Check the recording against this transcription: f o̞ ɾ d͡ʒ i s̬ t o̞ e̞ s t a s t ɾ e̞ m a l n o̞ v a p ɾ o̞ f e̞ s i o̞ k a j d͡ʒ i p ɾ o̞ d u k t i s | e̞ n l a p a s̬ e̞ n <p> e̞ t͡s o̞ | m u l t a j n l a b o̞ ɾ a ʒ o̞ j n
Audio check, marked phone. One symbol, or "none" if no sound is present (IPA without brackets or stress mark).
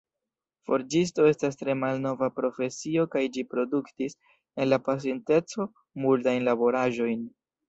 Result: t